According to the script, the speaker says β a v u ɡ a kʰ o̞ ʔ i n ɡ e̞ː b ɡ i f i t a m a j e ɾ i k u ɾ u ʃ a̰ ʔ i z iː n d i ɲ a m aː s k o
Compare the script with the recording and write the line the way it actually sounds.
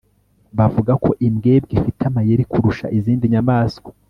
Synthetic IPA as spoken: β a v u ɡ a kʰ o̞ ʔ i m ɡ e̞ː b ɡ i f i t a m a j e ɾ i k u ɾ u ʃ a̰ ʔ i z iː n d i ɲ a m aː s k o